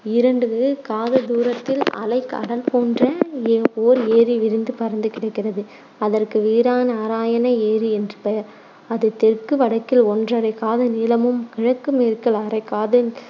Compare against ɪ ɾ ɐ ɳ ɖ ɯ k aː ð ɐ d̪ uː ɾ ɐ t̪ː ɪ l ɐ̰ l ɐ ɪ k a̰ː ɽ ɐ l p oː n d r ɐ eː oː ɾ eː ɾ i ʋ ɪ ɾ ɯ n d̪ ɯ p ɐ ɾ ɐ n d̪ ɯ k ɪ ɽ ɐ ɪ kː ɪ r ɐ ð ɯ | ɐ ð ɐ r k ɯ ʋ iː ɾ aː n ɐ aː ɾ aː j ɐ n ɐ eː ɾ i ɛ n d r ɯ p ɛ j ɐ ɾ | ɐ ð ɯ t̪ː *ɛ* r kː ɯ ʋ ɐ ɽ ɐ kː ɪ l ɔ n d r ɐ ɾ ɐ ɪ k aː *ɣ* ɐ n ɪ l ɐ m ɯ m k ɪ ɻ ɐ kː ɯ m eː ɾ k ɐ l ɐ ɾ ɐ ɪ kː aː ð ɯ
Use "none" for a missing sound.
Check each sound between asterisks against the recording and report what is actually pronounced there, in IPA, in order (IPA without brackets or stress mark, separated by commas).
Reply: ɛ, ð